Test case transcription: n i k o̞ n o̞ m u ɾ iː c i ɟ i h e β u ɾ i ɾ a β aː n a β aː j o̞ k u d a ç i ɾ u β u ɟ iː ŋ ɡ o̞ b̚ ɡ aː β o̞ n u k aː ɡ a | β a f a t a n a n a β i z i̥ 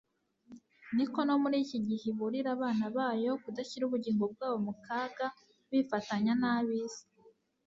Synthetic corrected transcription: n i k o̞ n o̞ m u ɾ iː c i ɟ i h e β u ɾ i ɾ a β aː n a β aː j o̞ k u d a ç i ɾ u β u ɟ iː ŋ ɡ o̞ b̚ ɡ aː β o̞ m u k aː ɡ a | β i f a t a ɲ a n a β i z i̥

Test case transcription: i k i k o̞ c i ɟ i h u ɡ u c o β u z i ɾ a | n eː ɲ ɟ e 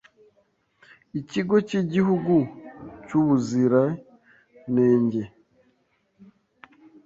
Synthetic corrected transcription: i c i ɡ o̞ c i ɟ i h u ɡ u c u β u z i ɾ a | n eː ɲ ɟ e

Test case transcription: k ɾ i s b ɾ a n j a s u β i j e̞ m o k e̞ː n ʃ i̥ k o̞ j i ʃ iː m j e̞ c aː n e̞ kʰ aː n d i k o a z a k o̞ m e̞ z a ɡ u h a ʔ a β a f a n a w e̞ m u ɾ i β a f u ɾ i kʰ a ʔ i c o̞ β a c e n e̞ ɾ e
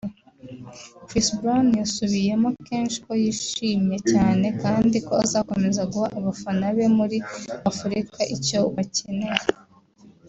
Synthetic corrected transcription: k ɾ i s b ɾ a n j a s u β i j e̞ m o k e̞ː n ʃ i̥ k o̞ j i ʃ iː m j e̞ c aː n e̞ k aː n d i k o a z a k o̞ m e̞ z a ɡ u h a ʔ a β a f a n a β e̞ m u ɾ i a f u ɾ i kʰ a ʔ i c o̞ β a c e n e̞ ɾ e

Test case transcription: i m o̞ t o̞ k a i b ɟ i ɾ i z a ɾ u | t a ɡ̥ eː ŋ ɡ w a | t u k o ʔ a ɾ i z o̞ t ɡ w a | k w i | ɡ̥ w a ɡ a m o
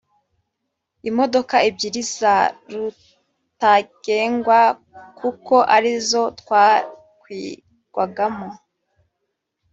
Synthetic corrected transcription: i m o̞ d o̞ k a i b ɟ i ɾ i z a ɾ u | t a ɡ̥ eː ŋ ɡ w a | k u k o ʔ a ɾ i z o̞ t k w a | k w i | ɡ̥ w a ɡ a m o

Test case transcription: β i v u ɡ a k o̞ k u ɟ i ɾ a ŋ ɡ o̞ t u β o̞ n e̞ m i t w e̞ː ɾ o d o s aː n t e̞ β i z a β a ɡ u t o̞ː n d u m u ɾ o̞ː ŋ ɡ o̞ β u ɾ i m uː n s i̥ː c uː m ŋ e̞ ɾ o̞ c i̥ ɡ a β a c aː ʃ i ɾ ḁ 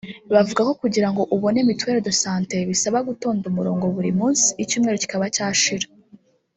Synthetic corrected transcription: β a v u ɡ a k o̞ k u ɟ i ɾ a ŋ ɡ o̞ ʔ u β o̞ n e̞ m i t w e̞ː ɾ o d o s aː n t e̞ β i s a β a ɡ u t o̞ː n d u m u ɾ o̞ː ŋ ɡ o̞ β u ɾ i m uː n s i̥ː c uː m ŋ e̞ ɾ o̞ c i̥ k a β a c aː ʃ i ɾ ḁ

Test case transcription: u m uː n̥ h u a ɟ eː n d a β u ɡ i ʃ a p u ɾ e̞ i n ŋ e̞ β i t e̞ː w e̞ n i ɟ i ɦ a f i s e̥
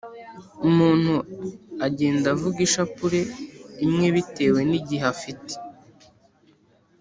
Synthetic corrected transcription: u m uː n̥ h u a ɟ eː n d a v u ɡ i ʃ a p u ɾ e̞ i m ŋ e̞ β i t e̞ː w e̞ n i ɟ i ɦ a f i t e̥

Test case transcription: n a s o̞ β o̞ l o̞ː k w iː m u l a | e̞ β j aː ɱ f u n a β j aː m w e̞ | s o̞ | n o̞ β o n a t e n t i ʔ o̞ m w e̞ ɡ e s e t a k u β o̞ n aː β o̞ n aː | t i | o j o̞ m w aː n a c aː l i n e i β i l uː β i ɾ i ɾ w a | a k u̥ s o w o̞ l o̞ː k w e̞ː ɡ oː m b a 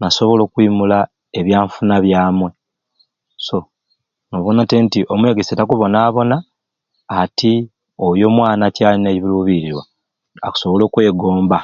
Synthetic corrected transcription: n a s o̞ β o̞ l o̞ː k w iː m u l a | e̞ β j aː ɱ f u n a β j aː m w e̞ | s o̞ | n o̞ β o n a t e n t i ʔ o̞ m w e̞ ɡ e s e t a k u β o̞ n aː β o̞ n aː | t i | o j o̞ m w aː n a c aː l i n e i β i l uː β i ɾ i ɾ w a | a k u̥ s o β o̞ l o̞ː k w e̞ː ɡ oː m b a

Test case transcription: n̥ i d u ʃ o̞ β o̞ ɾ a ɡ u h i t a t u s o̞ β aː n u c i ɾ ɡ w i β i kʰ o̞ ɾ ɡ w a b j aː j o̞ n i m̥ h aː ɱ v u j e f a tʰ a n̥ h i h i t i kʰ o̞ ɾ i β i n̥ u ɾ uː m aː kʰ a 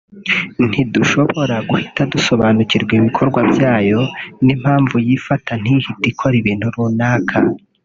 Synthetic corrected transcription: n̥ i d u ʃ o̞ β o̞ ɾ a ɡ u h i t a d u s o̞ β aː n u c i ɾ ɡ w i β i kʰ o̞ ɾ ɡ w a b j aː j o̞ n i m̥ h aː ɱ v u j i f a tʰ a n̥ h i h i t i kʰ o̞ ɾ i β i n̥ u ɾ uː n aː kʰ a

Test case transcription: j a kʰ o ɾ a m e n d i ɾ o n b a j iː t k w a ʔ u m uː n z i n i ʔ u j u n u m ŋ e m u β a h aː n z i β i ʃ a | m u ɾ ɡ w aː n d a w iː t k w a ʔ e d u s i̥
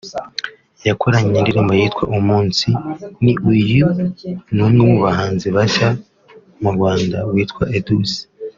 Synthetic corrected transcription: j a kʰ o ɾ a ɲ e n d i ɾ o m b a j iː t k w a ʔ u m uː n s i n i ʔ u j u n u m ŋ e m u β a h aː n z i β a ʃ a | m u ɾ ɡ w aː n d a w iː t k w a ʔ e d u s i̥

